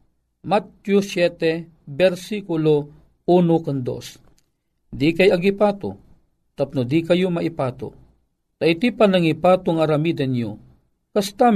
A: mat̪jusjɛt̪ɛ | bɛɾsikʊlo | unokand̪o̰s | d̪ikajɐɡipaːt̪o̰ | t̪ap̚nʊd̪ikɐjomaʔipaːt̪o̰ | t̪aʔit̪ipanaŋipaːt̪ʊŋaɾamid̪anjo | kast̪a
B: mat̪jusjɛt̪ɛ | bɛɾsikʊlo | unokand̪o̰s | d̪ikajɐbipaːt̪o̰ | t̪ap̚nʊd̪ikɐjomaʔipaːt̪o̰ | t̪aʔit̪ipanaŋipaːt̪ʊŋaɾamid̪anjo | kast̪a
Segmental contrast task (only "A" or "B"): A